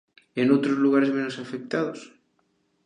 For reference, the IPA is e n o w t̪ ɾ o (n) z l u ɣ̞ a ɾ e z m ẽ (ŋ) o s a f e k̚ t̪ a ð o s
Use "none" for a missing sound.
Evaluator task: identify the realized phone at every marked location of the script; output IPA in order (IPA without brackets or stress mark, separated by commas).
none, n